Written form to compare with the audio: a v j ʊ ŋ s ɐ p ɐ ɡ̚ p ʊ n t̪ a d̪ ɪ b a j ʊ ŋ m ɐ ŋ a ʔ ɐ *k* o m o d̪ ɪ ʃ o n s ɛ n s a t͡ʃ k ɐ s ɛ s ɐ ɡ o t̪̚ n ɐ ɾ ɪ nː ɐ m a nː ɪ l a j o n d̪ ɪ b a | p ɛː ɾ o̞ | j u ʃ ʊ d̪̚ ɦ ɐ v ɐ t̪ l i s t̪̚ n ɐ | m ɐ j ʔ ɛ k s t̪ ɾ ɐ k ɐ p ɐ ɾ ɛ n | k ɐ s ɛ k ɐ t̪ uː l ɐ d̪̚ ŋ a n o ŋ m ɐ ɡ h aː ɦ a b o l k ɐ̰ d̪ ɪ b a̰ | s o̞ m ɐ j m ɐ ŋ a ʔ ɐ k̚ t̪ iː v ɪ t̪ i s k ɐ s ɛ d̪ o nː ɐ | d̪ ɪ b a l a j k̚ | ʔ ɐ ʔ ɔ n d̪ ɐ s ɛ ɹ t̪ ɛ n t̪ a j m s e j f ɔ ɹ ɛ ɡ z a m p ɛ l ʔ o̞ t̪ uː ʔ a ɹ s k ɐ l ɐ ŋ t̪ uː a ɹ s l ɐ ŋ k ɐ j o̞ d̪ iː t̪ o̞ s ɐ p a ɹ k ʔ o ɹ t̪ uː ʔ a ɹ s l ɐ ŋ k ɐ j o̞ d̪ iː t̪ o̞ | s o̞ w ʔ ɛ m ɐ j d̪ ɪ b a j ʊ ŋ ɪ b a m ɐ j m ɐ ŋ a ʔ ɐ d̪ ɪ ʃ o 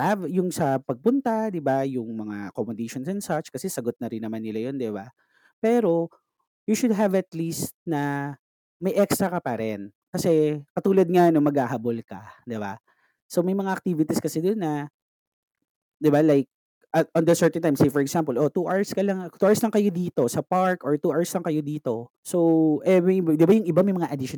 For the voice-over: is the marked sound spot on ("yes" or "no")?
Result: yes